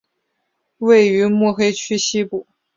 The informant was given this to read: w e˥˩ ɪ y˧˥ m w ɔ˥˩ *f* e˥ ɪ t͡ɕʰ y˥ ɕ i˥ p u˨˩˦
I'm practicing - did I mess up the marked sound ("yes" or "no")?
yes